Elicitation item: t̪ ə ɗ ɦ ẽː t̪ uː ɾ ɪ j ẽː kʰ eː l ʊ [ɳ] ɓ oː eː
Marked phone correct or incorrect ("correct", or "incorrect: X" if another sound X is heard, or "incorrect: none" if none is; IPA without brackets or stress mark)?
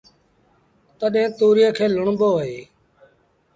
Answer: correct